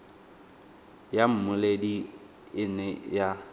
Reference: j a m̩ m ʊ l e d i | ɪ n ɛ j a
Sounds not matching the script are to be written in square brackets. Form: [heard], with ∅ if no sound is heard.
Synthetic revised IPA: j a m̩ m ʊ l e d i | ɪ n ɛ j a